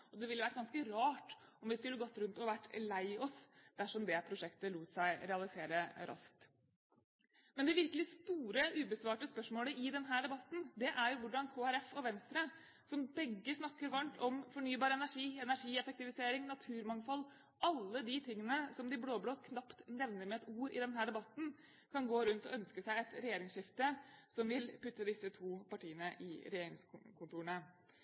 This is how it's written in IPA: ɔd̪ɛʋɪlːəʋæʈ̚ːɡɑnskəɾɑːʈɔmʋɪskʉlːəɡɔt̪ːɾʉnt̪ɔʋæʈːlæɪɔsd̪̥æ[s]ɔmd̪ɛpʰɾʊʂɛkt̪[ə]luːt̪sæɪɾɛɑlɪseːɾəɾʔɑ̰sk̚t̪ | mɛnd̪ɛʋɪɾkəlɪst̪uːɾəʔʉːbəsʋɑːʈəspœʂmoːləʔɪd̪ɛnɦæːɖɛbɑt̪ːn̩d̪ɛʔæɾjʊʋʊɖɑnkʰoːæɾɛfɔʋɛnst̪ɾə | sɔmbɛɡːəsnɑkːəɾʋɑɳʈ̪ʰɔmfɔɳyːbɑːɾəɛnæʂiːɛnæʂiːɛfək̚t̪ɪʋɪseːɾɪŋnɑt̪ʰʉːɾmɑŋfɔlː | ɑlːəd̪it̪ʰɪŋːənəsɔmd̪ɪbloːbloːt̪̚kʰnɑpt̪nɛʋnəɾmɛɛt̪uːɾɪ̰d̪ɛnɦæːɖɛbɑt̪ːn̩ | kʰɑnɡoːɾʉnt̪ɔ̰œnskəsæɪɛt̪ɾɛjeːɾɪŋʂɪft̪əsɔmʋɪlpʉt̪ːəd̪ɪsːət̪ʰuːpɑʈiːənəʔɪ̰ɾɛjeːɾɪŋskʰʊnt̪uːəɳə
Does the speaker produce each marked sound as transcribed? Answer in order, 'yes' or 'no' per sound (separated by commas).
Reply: no, yes